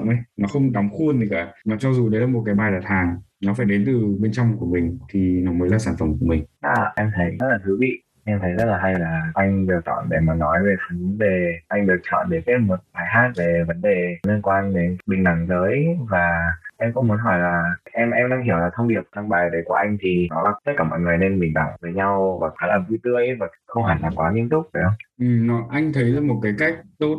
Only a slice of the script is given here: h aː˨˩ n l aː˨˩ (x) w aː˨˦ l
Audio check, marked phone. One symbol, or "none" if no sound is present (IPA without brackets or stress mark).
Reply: k